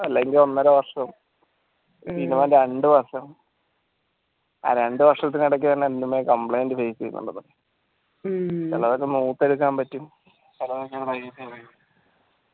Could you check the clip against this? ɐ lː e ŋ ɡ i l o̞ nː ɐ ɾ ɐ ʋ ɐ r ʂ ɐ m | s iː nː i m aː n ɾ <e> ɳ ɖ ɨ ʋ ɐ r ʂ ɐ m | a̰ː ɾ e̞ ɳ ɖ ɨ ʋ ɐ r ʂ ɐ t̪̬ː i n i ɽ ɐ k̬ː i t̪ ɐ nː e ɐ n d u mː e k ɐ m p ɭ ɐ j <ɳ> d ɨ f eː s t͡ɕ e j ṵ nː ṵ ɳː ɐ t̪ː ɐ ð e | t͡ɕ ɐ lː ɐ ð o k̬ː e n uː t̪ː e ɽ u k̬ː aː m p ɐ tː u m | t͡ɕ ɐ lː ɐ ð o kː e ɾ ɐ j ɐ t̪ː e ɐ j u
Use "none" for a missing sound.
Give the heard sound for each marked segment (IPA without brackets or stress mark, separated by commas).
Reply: e, n